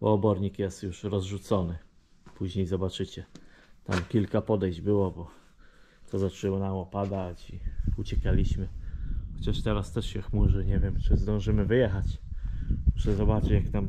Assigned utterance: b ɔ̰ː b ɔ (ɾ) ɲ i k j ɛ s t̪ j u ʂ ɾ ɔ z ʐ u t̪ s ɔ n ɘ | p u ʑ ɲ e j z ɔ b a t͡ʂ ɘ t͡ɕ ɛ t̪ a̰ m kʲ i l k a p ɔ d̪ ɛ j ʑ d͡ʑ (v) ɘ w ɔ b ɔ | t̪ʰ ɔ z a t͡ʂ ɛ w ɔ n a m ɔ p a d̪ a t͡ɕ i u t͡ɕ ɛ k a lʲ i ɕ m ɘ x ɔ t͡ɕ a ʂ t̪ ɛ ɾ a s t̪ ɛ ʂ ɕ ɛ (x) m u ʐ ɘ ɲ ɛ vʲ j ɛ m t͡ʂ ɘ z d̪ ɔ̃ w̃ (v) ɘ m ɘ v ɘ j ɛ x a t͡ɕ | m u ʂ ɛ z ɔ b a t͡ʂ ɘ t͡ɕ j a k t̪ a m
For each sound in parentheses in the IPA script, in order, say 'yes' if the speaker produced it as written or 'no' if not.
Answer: yes, no, yes, no

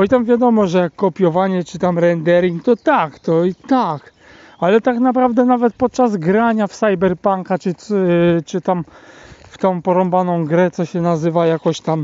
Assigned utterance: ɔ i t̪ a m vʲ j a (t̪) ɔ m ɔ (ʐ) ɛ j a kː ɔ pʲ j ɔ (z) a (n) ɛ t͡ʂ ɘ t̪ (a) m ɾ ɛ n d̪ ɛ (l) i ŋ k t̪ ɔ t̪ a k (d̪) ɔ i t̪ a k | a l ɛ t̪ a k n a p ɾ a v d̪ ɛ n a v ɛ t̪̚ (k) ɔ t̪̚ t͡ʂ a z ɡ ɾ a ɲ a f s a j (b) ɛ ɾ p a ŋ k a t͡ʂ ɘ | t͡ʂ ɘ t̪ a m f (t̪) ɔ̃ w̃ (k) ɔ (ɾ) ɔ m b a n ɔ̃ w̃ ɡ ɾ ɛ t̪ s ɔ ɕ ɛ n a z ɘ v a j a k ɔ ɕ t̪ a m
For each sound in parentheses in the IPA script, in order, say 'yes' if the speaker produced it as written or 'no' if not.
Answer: no, yes, no, no, yes, no, no, no, yes, yes, no, yes

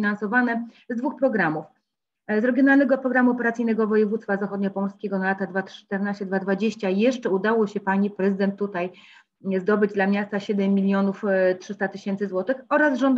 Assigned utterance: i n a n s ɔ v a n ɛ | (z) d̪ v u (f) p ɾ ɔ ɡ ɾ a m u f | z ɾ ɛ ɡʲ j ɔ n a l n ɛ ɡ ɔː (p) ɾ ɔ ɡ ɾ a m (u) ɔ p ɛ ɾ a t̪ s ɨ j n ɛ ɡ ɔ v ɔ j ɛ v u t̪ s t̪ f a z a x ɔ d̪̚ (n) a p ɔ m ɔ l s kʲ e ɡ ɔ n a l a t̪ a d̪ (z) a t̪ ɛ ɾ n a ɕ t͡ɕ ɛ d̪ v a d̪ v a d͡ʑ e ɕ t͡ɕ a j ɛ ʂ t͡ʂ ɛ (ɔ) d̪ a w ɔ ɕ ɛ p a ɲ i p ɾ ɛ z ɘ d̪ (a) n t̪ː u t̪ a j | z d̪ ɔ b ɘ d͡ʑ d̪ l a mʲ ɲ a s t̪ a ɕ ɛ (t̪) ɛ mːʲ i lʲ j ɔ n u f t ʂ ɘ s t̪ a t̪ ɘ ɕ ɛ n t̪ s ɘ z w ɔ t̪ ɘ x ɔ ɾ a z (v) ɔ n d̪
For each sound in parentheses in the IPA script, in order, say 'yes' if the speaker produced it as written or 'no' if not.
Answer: yes, no, yes, yes, no, no, no, no, no, no

